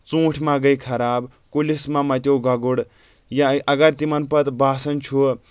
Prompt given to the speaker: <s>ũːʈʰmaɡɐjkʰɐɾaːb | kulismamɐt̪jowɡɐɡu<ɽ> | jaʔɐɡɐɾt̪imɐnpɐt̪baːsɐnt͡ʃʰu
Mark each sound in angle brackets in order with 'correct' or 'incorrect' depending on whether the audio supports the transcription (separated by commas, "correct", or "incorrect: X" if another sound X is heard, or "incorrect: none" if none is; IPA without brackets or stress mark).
incorrect: t͡s, correct